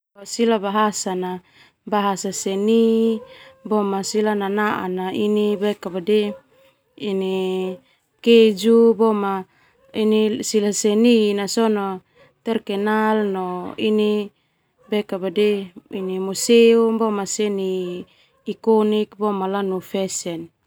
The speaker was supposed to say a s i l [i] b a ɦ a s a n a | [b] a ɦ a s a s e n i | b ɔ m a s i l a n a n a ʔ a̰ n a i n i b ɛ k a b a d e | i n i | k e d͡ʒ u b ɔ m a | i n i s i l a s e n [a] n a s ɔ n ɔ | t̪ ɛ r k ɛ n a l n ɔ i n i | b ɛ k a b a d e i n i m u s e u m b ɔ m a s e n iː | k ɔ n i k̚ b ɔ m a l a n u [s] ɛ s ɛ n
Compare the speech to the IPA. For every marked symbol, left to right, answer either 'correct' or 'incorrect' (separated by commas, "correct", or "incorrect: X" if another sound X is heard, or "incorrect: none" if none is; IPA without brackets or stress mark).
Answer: incorrect: a, correct, incorrect: i, incorrect: f